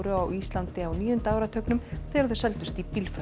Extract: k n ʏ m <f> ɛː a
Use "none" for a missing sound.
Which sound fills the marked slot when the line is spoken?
θ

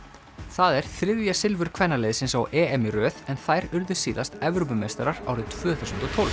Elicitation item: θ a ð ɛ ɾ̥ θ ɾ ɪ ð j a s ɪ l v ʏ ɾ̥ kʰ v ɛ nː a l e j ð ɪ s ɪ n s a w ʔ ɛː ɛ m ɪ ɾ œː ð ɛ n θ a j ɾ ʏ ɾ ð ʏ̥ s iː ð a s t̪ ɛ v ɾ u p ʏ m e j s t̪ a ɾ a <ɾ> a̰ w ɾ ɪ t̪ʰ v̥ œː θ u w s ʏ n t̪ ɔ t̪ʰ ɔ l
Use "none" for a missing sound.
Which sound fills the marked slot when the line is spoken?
ɾ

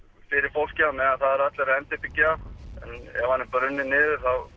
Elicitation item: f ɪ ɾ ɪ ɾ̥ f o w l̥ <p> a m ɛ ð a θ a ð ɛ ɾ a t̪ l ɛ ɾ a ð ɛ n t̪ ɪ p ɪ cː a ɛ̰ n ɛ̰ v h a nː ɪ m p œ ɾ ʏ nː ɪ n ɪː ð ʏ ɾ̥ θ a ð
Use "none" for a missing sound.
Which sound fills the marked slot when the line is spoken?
c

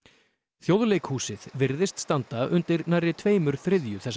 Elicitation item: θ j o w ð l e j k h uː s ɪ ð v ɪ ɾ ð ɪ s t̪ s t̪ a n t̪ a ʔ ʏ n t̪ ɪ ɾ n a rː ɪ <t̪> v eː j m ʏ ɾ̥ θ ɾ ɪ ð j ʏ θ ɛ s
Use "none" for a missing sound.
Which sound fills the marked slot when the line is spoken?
t̪ʰ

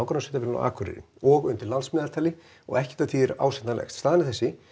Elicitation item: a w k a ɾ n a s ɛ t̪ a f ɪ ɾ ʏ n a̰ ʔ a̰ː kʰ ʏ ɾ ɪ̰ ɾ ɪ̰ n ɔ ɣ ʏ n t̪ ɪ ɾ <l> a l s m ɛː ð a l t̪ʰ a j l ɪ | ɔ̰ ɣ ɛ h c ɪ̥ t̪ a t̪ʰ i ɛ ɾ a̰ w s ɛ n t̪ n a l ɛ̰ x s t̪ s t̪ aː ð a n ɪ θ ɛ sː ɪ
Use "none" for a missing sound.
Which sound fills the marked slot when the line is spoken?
l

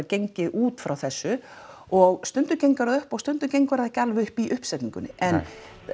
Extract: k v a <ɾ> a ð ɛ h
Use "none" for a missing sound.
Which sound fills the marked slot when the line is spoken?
ɾ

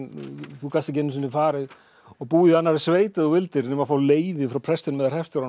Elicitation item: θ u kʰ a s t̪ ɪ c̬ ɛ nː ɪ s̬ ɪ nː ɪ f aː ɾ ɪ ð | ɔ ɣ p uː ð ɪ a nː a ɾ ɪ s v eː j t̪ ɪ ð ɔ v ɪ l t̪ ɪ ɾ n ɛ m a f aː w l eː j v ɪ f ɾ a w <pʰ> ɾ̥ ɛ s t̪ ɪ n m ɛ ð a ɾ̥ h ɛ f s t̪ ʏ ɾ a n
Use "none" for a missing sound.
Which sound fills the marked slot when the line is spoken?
pʰ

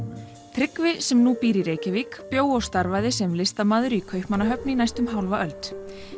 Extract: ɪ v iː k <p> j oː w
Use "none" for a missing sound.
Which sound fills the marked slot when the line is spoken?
p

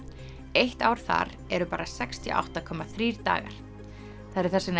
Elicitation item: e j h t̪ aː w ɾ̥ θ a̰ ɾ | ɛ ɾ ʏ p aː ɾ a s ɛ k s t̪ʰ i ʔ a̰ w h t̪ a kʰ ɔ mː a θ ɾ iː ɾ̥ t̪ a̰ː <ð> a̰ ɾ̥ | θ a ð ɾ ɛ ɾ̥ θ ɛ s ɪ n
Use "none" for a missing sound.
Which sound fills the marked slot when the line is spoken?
ɣ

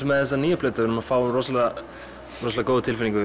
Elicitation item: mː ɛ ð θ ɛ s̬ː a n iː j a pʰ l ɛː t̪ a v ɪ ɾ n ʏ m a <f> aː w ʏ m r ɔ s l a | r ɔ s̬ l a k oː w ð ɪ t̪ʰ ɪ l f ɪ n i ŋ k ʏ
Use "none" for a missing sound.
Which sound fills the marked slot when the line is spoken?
f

